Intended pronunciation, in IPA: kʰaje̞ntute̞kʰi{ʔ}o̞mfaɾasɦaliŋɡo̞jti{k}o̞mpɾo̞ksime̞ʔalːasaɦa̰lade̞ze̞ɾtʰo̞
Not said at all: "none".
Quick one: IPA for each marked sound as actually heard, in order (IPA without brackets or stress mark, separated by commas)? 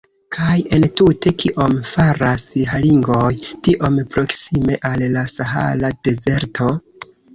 ʔ, ʔ